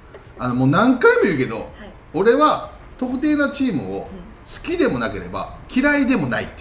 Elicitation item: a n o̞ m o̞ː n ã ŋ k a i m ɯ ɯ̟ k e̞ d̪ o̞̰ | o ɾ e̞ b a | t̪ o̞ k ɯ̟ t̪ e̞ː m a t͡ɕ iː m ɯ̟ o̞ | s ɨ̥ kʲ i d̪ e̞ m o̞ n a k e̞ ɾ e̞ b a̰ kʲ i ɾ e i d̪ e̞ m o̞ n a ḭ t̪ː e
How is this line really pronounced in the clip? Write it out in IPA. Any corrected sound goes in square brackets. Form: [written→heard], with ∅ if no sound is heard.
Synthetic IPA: a n o̞ m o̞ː n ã ŋ k a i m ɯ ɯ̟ k e̞ d̪ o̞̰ | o ɾ e̞ [b→β] a | t̪ o̞ k ɯ̟ t̪ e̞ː [m→n] a t͡ɕ iː m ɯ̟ o̞ | s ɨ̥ kʲ i d̪ e̞ m o̞ n a k e̞ ɾ e̞ b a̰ kʲ i ɾ [e→a] i d̪ e̞ m o̞ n a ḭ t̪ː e